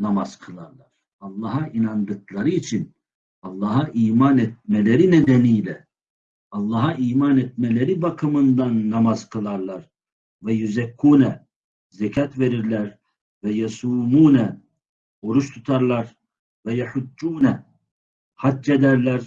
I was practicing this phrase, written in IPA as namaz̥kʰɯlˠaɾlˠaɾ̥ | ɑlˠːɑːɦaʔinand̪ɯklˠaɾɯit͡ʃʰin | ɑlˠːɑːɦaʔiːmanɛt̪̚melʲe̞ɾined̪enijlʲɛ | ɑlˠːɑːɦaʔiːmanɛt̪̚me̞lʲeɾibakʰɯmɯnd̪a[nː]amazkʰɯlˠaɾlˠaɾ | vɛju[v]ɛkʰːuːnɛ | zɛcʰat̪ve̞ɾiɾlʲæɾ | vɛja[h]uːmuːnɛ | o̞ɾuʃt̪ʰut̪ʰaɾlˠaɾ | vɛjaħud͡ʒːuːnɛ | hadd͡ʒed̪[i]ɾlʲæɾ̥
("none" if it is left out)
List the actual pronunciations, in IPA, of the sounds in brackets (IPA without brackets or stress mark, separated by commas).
nː, z, s, æ